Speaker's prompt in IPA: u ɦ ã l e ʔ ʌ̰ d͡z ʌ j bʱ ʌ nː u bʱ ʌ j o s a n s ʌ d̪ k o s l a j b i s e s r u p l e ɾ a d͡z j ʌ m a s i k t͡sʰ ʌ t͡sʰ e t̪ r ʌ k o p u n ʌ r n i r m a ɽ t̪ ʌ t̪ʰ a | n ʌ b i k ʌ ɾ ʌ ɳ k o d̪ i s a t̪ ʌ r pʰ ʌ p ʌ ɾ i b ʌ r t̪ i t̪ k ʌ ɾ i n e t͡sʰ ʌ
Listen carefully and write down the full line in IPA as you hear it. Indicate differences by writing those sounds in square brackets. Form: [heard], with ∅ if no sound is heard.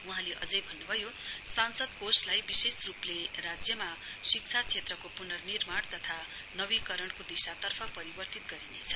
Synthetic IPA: u ɦ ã l e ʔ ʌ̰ d͡z ʌ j bʱ ʌ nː u bʱ ʌ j o s a n s ʌ d̪ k o s l a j b i s e s r u p l e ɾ a d͡z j ʌ m a s i k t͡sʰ [a] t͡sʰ e t̪ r ʌ k o p u n ʌ r n i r m a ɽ t̪ ʌ t̪ʰ a | n ʌ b i k ʌ ɾ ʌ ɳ k o d̪ i s a t̪ ʌ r pʰ ʌ p ʌ ɾ i b ʌ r t̪ i t̪ [ɡ] ʌ ɾ i n e t͡sʰ ʌ